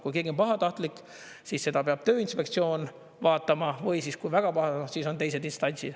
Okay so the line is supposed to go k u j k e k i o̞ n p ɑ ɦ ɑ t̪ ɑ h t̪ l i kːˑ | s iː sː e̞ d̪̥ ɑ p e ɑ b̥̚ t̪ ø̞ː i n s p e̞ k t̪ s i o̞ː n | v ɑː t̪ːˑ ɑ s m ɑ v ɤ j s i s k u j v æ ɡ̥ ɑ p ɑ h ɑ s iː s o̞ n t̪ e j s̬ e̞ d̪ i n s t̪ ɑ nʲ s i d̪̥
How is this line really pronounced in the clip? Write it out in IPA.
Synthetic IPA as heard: k u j k e ɡ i o̞ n p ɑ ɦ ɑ t̪ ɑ h t̪ l i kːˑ | s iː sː e̞ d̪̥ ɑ p e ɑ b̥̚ t̪ ø̞ː i n s p e̞ k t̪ s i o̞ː n | v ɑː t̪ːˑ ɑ m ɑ v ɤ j s i s k u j v æ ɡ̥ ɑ p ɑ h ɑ s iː s o̞ n t̪ e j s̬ e̞ d̪ i n s t̪ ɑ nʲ s i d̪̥